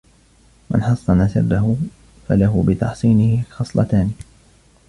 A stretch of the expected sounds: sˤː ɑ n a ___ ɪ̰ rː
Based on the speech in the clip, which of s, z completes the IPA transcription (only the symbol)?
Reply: s